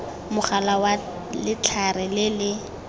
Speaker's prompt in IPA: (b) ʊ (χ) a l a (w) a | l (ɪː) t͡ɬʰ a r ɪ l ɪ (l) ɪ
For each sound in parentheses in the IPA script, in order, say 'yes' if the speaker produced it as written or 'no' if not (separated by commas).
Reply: no, yes, yes, no, yes